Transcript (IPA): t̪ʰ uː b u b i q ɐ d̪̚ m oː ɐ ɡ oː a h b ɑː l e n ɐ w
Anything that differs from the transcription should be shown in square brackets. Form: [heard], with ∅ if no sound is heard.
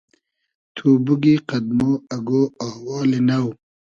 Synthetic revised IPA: t̪ʰ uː b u [ɡ] i q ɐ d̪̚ m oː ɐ ɡ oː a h [w] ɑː l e n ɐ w